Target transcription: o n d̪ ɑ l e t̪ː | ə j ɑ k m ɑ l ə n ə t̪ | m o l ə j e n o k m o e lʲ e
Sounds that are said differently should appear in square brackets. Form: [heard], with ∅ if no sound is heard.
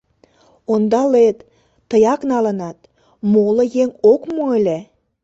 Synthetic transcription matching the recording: o n d̪ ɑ l e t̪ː | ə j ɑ k [n] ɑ l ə n [ɑ] t̪ | m o l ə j e [ŋ] o k m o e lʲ e